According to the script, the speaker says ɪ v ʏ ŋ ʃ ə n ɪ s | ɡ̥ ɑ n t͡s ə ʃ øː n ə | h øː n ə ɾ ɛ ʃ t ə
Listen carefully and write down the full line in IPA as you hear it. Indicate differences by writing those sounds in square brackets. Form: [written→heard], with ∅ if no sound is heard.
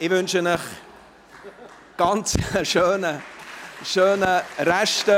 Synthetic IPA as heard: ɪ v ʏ [ŋ→n] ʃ ə n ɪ [s→χ] | ɡ̥ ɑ n t͡s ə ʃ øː n ə | [h→ʃ] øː n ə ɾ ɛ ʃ t ə